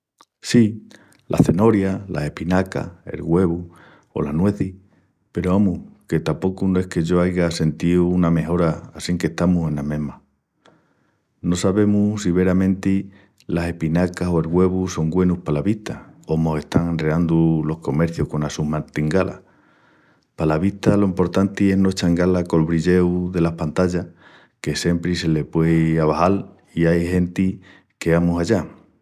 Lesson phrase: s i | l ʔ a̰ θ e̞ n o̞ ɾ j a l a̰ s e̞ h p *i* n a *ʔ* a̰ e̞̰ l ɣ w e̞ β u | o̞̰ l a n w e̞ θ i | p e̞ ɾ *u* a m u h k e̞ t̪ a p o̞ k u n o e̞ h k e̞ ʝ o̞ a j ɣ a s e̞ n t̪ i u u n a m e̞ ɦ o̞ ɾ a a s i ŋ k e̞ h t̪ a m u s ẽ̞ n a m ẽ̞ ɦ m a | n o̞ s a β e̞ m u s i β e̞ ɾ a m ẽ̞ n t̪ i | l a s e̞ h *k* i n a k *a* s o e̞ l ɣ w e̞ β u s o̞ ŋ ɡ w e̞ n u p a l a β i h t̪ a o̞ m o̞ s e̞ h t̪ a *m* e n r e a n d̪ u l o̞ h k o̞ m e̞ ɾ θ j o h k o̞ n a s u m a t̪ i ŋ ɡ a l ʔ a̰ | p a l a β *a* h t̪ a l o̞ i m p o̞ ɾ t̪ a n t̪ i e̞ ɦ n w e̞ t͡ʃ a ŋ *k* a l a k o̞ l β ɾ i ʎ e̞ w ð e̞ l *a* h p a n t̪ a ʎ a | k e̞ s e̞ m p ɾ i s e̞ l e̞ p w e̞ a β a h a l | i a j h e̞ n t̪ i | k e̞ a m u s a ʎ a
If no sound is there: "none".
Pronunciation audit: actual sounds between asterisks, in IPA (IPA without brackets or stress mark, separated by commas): i, k, o, p, a, ŋ, i, ɡ, a